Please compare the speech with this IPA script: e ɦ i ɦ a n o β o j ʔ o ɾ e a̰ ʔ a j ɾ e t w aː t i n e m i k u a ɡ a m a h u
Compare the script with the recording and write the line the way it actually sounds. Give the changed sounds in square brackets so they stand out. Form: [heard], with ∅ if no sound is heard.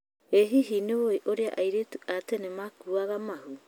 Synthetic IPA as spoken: e ɦ i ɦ [i] n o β o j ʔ o ɾ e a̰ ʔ a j ɾ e t [u] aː t [e] n e m [a] k u a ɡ a m a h u